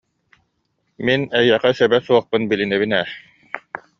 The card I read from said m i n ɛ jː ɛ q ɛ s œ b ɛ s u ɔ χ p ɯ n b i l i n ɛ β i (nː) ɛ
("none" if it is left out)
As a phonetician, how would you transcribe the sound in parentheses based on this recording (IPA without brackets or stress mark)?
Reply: n